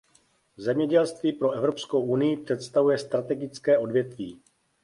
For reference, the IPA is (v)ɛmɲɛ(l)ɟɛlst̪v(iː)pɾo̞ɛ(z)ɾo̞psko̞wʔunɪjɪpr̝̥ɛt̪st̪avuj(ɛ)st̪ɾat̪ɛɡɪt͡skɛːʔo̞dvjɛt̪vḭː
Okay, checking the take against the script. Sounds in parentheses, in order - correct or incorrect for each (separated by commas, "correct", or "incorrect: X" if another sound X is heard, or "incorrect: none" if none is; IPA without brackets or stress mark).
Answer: incorrect: z, incorrect: none, correct, incorrect: v, correct